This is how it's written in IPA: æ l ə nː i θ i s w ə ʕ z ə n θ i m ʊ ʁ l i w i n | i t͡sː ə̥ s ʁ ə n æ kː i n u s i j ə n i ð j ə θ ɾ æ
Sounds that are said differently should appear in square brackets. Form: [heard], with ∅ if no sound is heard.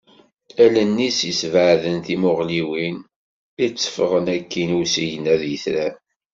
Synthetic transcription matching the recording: æ l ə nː i [s] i s [v] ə ʕ [ð] ə n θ i m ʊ ʁ l i w i n | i t͡sː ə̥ [f] ʁ ə n æ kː i n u s i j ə n [æ] ð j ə θ ɾ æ